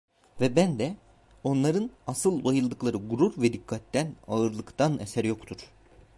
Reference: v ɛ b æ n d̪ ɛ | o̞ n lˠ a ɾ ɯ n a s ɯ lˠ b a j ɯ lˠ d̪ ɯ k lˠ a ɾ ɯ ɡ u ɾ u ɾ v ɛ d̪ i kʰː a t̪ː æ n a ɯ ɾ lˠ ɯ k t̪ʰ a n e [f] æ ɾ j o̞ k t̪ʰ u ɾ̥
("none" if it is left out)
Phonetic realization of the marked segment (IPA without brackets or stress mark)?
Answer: s